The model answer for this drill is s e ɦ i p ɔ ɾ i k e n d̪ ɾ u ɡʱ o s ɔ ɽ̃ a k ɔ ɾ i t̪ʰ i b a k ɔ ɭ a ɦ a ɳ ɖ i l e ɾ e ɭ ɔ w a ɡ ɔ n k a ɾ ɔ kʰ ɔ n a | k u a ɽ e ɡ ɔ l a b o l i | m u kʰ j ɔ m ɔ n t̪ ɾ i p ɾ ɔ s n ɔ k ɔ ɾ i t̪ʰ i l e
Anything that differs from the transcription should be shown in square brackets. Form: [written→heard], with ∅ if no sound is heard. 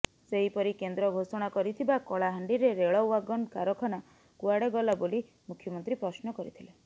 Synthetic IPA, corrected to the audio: s e ɦ i p ɔ ɾ i k e n d̪ ɾ [u→ɔ] ɡʱ o s ɔ ɽ̃ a k ɔ ɾ i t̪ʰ i b a k ɔ ɭ a ɦ a ɳ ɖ i [l→ɾ] e ɾ e ɭ ɔ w a ɡ ɔ n k a ɾ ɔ kʰ ɔ n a | k u a ɽ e ɡ ɔ l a b o l i | m u kʰ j ɔ m ɔ n t̪ ɾ i p ɾ ɔ s n ɔ k ɔ ɾ i t̪ʰ i l e